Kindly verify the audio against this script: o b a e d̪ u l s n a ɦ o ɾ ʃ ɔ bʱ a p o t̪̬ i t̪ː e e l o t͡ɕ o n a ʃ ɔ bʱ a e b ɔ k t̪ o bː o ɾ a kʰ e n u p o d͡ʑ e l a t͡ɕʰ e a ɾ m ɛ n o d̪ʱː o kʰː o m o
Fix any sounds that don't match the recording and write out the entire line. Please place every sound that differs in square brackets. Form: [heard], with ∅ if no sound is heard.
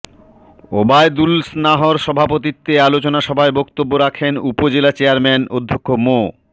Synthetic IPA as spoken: o b a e d̪ u l s n a ɦ o ɾ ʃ ɔ bʱ a p o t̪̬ i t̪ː e [a] l o t͡ɕ o n a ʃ ɔ bʱ a e b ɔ k t̪ o bː o ɾ a kʰ e n u p o d͡ʑ e l a [t͡ɕ] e a ɾ m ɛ n o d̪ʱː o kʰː o m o